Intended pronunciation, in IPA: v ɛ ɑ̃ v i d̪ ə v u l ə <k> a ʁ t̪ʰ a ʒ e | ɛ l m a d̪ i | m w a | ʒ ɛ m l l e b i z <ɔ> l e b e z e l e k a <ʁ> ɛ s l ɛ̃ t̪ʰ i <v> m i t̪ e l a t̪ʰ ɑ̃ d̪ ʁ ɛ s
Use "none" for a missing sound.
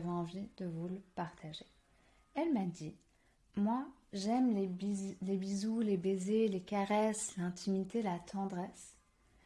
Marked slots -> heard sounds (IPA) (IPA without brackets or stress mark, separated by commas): p, u, ʁ, none